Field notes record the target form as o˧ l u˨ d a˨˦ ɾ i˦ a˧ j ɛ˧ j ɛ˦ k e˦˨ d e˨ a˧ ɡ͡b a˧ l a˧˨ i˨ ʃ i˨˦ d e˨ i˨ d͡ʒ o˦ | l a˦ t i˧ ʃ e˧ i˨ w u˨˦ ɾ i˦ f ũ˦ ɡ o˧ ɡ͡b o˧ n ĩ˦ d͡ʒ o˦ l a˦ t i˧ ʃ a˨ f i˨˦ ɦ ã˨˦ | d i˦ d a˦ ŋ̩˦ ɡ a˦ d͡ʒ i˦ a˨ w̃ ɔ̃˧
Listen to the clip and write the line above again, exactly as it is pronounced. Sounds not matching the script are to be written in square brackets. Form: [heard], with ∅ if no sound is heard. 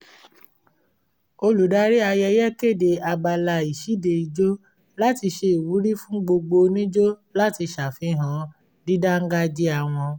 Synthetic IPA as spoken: o˧ l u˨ d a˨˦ ɾ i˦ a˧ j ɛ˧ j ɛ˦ k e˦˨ d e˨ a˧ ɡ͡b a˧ l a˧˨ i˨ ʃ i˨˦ d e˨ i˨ d͡ʒ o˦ | l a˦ t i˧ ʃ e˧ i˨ w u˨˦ ɾ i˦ f ũ˦ [ɡ͡b] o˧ ɡ͡b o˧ n ĩ˦ d͡ʒ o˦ l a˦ t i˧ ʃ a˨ f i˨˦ ɦ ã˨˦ | d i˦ d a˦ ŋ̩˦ ɡ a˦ d͡ʒ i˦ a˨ w̃ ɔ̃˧